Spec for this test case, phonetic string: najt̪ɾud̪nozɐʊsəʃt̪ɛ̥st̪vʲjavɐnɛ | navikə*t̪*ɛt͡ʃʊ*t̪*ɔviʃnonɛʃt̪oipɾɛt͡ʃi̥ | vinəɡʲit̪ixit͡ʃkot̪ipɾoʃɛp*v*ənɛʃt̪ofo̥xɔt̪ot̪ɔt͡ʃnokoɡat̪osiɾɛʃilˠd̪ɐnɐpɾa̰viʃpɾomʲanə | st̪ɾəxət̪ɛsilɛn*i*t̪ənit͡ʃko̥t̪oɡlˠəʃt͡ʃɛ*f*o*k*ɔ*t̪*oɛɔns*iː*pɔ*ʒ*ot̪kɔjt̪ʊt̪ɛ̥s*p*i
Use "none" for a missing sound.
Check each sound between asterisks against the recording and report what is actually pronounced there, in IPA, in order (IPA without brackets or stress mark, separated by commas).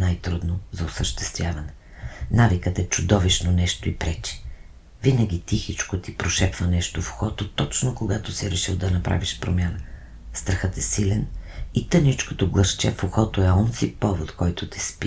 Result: t̪, d̪, v, i, f, x, t̪, i, v, p